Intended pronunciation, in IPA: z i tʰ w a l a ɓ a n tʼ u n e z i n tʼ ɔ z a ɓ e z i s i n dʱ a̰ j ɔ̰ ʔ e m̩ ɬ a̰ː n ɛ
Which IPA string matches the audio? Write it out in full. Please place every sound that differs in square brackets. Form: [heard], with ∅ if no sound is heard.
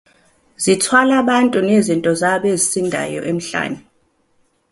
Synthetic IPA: z i tʰ w a l a ɓ a n tʼ u n e z i n tʼ ɔ z a ɓ e z i s i n dʱ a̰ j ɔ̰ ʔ e m̩ ɬ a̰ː n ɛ